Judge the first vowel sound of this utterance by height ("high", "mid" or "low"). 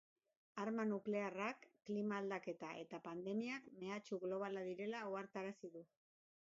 low